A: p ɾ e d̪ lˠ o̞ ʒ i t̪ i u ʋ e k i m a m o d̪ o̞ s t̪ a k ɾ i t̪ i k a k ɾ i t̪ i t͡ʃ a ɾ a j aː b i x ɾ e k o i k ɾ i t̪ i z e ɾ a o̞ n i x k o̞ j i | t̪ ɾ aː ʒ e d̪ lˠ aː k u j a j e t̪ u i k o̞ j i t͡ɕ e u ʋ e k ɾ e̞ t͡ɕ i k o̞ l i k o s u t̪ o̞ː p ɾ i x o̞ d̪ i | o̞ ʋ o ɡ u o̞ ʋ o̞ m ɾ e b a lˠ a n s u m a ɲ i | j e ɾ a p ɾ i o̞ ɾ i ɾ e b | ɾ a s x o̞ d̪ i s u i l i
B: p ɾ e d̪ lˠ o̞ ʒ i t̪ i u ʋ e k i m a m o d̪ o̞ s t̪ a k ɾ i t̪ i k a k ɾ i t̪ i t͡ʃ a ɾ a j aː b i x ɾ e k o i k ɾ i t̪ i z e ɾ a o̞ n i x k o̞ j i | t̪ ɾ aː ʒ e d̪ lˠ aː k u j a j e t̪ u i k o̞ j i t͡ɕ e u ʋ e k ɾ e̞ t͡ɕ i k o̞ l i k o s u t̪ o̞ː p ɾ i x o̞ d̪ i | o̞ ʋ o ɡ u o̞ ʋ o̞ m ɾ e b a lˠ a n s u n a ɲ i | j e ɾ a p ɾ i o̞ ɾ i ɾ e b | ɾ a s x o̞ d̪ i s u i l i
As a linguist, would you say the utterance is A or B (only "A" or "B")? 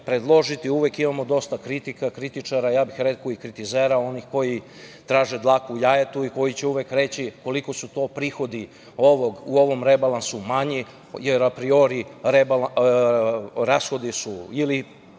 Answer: A